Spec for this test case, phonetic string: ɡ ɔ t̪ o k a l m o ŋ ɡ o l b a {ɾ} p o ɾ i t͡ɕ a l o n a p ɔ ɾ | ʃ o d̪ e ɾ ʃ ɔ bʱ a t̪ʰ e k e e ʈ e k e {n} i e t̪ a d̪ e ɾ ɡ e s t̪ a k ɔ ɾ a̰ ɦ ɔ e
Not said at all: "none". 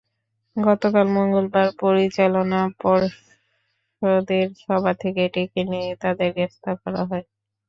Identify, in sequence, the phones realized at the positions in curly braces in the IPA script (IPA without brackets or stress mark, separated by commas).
ɾ, n